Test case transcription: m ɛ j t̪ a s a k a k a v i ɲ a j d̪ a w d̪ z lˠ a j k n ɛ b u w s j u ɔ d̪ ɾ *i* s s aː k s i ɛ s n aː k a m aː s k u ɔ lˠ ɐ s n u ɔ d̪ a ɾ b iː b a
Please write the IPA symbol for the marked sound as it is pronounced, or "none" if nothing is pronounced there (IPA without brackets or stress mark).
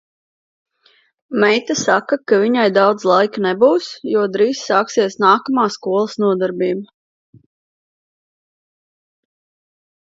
iː